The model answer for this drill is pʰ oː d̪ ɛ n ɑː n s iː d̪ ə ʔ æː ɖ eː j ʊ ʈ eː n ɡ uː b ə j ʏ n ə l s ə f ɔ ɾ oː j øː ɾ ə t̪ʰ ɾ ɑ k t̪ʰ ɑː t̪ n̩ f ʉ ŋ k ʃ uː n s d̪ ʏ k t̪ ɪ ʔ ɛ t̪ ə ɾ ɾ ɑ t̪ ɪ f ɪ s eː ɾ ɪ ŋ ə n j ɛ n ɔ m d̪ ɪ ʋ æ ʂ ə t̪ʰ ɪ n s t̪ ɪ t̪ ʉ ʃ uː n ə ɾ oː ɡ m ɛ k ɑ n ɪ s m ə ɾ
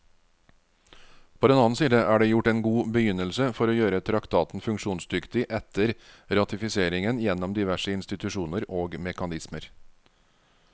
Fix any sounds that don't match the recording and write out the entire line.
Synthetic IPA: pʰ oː d̪ ɛ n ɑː n s iː d̪ ə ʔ æː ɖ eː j ʊ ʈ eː n ɡ uː b ə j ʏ n ə l s ə f ɔ ɾ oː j øː ɾ ə t̪ʰ ɾ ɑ k t̪ʰ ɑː t̪ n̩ f ʉ ŋ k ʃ uː n s d̪ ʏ k t̪ ɪ ʔ ɛ t̪ ə ɾ ɾ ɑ t̪ ɪ f ɪ s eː ɾ ɪ ŋ ə n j ɛ n ɔ m d̪ ɪ ʋ æ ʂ ə ɪ n s t̪ ɪ t̪ ʉ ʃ uː n ə ɾ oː ɡ m ɛ k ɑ n ɪ s m ə ɾ